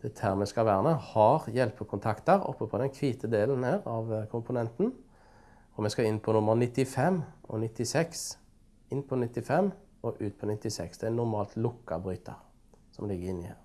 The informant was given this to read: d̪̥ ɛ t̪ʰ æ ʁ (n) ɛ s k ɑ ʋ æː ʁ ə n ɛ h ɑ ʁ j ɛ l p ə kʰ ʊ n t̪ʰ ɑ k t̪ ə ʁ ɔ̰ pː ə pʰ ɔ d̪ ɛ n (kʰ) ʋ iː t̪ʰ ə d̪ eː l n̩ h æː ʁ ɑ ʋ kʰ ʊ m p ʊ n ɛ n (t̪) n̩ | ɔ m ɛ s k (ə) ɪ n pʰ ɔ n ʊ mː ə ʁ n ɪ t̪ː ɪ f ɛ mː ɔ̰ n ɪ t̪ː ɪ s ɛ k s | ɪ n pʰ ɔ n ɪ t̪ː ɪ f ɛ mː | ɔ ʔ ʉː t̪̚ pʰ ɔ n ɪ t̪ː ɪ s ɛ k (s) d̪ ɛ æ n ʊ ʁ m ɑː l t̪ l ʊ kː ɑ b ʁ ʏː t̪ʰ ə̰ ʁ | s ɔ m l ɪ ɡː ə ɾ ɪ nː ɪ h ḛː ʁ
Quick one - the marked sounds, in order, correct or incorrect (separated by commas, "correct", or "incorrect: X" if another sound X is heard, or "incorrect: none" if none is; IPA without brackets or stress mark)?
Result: incorrect: m, correct, correct, incorrect: ɑ, correct